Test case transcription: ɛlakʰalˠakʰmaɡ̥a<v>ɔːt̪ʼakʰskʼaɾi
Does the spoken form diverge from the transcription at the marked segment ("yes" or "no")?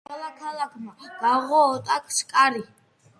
yes